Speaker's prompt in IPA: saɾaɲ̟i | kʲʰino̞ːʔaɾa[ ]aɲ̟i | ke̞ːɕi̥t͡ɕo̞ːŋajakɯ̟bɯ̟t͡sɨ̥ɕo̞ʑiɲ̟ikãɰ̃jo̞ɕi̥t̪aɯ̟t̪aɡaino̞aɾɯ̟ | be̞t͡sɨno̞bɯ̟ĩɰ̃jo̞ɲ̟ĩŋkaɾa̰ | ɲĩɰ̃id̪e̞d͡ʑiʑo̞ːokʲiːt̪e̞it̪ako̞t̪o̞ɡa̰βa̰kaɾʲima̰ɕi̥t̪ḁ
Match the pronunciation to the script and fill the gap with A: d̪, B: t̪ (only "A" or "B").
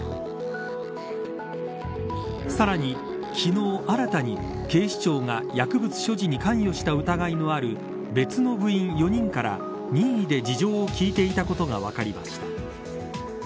B